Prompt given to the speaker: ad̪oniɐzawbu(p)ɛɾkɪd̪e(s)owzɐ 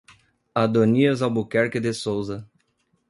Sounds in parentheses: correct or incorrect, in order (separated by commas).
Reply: incorrect, correct